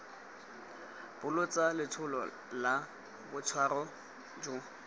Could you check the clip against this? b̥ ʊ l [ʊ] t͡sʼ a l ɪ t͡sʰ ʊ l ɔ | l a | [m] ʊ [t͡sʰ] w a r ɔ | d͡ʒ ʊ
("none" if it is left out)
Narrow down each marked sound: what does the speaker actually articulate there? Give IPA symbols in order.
ʊ, b, t͡sʰ

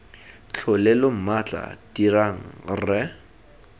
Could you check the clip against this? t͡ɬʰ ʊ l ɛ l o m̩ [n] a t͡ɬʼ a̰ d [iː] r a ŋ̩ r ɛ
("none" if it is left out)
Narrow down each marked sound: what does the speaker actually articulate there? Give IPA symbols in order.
m, i

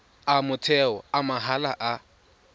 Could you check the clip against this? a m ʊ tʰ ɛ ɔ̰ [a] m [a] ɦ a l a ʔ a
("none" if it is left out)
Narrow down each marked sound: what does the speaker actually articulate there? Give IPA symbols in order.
a, a

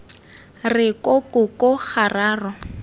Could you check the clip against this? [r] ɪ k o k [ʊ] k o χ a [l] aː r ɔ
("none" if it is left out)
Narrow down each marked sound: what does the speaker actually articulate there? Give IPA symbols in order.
r, ʊ, r

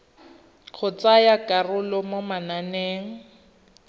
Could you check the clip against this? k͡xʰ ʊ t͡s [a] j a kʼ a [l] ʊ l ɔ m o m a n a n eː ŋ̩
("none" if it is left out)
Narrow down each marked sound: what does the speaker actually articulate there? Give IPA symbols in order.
a, r

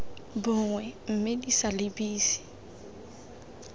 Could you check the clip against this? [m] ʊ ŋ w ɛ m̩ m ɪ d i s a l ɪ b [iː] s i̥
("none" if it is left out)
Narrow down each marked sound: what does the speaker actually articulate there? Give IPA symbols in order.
b, iː

